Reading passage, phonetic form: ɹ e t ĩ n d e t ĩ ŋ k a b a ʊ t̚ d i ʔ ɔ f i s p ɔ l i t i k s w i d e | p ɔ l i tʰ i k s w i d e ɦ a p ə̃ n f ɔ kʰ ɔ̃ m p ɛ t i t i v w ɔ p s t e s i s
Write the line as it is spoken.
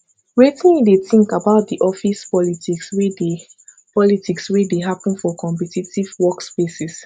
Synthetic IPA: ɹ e t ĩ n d e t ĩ ŋ k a b a ʊ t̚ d i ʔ ɔ f i s p ɔ l i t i k s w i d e | p ɔ l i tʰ i k s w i d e ɦ a p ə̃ n f ɔ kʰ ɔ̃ m p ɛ t i t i v w ɔ k s p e s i s